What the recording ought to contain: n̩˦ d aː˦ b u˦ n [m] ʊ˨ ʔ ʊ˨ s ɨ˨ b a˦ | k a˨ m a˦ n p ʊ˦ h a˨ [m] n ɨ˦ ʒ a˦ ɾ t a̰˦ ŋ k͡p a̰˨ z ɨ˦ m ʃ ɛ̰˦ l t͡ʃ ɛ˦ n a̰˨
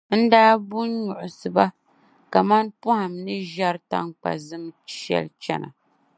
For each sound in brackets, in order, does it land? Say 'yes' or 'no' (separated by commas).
no, yes